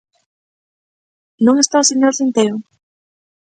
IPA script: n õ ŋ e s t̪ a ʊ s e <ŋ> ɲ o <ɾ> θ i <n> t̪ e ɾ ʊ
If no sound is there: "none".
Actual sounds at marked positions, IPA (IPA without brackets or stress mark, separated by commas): none, ɾ, n